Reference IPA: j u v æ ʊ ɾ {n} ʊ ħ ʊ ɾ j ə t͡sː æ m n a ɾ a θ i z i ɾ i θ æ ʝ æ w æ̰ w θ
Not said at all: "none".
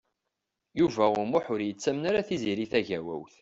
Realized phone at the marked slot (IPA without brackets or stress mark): m